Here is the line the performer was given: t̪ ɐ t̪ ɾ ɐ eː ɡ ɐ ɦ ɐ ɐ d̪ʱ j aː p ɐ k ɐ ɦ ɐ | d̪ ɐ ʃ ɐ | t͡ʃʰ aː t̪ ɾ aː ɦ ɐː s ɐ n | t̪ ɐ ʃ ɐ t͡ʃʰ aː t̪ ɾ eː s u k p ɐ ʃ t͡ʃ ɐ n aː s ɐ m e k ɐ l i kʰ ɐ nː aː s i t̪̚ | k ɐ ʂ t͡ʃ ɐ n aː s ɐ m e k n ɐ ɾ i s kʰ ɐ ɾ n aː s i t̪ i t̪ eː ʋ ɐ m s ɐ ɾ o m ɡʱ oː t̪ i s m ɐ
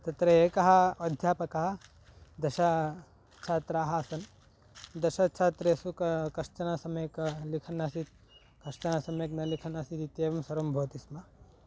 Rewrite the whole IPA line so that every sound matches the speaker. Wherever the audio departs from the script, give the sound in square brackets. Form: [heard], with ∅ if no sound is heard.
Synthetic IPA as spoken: t̪ ɐ t̪ ɾ ɐ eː [k] ɐ ɦ ɐ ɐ d̪ʱ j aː p ɐ k ɐ ɦ ɐ | d̪ ɐ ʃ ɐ | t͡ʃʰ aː t̪ ɾ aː ɦ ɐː s ɐ n | [d̪] ɐ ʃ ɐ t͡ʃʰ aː t̪ ɾ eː s u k [k] ɐ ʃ t͡ʃ ɐ n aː s ɐ m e k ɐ l i kʰ ɐ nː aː s i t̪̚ | k ɐ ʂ t͡ʃ ɐ n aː s ɐ m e k n ɐ [l] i [∅] kʰ ɐ [∅] n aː s i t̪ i t̪ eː ʋ ɐ m s ɐ ɾ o m [bʱ] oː t̪ i s m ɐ